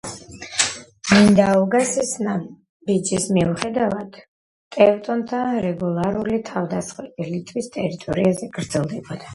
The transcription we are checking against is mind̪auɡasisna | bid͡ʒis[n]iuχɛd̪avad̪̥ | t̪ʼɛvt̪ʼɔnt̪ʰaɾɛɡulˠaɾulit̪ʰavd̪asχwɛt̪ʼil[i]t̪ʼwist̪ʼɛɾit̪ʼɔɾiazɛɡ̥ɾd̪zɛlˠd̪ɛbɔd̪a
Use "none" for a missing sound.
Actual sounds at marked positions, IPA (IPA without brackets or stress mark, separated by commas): m, i